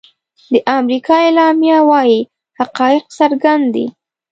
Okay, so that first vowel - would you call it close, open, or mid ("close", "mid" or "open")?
mid